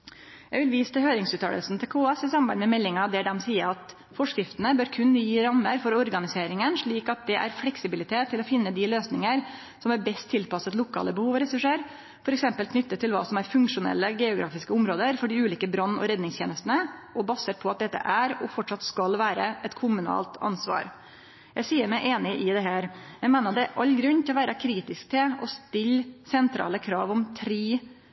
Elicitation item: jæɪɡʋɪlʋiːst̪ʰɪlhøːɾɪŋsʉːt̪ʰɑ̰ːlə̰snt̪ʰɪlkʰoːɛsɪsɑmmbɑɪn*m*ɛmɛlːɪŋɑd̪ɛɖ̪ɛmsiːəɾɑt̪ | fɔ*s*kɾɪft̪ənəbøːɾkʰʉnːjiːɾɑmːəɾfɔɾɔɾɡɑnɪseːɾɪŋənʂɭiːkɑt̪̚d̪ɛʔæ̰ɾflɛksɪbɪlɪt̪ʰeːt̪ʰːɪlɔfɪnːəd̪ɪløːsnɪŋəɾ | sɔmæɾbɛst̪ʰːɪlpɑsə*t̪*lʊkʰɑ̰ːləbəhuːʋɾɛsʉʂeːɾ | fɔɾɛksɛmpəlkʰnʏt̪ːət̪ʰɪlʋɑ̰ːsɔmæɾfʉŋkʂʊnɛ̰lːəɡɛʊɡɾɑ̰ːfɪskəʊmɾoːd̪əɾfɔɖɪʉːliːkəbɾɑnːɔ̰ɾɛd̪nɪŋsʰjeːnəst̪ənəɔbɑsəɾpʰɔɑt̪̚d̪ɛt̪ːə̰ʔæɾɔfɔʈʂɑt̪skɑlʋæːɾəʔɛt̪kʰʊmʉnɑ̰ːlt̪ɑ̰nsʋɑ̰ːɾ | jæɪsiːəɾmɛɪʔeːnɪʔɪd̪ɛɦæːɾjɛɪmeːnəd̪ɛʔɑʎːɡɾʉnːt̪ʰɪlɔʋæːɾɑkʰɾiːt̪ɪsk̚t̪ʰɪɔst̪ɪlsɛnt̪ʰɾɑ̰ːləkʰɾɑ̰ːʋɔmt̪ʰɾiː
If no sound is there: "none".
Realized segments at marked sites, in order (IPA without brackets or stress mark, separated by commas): m, ʂ, t̪